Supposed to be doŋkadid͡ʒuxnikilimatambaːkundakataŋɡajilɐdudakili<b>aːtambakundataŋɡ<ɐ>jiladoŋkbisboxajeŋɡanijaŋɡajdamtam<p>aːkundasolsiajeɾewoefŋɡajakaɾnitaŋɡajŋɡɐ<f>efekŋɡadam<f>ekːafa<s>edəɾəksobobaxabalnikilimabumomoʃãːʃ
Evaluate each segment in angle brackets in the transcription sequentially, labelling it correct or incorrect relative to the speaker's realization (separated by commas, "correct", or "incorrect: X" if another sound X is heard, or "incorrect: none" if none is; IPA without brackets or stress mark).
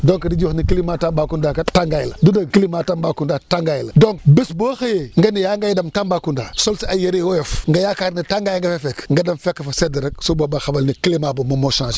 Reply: incorrect: m, incorrect: a, incorrect: b, correct, correct, correct